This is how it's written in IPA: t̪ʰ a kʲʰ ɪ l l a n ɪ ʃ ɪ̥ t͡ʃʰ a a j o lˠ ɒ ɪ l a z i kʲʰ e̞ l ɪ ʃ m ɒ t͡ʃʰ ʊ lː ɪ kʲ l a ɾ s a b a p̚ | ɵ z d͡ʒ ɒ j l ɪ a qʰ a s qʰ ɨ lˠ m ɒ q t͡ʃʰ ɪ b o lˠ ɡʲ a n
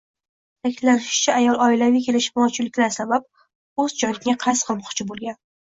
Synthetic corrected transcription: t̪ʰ a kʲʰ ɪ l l a n ɪ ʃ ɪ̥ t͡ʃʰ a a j ɒ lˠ ɒ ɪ l a v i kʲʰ e̞ l ɪ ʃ m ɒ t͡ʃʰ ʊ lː ɪ kʲ l a ɾ s a b a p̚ | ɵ z d͡ʒ ɒ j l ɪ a qʰ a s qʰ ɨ lˠ m ɒ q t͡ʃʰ ɪ b o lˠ ɡʲ a n